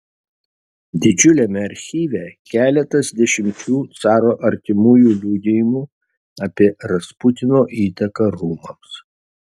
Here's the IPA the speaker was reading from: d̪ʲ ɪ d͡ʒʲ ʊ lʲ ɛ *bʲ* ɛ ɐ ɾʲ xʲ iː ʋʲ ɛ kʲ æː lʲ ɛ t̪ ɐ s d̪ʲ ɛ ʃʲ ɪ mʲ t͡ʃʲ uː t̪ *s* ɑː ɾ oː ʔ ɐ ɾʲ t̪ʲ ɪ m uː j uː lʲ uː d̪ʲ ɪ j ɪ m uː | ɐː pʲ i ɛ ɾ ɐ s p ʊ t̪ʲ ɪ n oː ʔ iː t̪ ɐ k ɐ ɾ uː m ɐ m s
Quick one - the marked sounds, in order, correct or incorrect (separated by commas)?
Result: incorrect, correct